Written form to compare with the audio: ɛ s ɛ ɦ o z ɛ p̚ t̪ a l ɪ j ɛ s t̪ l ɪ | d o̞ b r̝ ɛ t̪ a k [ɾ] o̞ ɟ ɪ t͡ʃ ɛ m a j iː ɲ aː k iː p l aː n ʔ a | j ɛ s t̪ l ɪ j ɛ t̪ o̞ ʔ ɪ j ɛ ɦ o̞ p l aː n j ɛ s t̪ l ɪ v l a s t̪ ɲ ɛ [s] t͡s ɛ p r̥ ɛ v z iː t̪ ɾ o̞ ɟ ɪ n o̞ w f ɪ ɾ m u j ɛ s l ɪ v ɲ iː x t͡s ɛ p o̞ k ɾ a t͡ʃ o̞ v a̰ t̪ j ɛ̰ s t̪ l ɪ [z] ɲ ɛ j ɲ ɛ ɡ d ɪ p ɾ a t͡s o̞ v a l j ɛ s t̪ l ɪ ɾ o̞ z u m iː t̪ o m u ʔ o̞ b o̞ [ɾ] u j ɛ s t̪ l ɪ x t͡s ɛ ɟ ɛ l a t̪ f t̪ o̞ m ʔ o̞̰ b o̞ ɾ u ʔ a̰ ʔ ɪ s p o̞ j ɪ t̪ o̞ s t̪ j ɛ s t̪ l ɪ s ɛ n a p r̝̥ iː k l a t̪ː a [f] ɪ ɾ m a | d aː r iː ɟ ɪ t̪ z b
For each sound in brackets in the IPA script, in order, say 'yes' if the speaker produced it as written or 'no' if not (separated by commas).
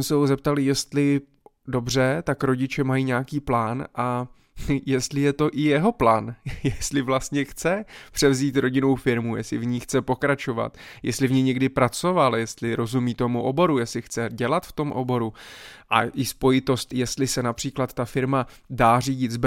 yes, no, no, yes, yes